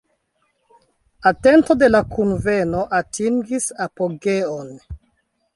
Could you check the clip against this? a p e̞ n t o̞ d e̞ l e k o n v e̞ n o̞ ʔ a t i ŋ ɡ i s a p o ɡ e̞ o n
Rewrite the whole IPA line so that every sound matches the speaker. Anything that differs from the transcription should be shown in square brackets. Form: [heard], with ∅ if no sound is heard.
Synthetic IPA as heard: a [t] e̞ n t o̞ d e̞ l [a] k [u] n v e̞ n o̞ ʔ a t i ŋ ɡ i s a p o ɡ e̞ o n

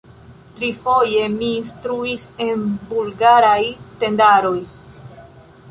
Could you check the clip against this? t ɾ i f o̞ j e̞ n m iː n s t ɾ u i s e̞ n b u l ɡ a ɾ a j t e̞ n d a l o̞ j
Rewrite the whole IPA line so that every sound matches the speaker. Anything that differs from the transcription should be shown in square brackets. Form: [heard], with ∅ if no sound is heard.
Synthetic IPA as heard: t ɾ i f o̞ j e̞ [∅] m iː n s t ɾ u i s e̞ n b u l ɡ a ɾ a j t e̞ n d a [ɾ] o̞ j

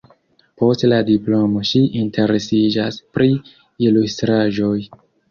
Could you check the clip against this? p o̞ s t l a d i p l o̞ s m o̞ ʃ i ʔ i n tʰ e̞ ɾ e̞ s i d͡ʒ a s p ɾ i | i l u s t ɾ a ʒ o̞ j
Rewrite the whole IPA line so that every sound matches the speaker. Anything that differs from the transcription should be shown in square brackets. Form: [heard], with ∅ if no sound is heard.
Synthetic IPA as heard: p o̞ s t l a d i p l o̞ [∅] m o̞ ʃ i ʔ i n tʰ e̞ ɾ e̞ s i d͡ʒ a s p ɾ i | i l u s t ɾ a ʒ o̞ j

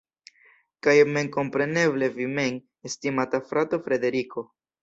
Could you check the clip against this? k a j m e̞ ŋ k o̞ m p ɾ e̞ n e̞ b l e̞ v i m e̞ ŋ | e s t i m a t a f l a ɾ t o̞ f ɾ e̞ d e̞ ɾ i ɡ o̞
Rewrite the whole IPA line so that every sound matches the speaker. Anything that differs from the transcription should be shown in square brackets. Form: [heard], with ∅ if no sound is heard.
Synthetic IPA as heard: k a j m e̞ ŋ k o̞ m p ɾ e̞ n e̞ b l e̞ v i m e̞ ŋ | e s t i m a t a f [ɾ] a [∅] t o̞ f ɾ e̞ d e̞ ɾ i [k] o̞

